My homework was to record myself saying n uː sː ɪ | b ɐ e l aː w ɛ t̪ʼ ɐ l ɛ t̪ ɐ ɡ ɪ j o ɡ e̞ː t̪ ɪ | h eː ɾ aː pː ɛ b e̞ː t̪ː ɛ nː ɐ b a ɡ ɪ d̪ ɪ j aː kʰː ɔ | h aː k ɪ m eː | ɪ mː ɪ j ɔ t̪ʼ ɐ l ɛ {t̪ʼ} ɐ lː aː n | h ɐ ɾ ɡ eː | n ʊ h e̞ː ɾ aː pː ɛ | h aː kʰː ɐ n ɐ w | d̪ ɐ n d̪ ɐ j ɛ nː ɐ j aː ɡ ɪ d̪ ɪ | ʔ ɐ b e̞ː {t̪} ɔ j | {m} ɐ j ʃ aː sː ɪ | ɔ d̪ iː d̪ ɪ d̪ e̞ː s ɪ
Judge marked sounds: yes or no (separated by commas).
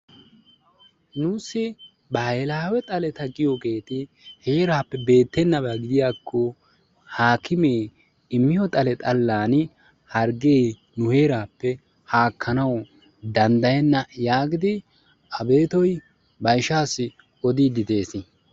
yes, yes, no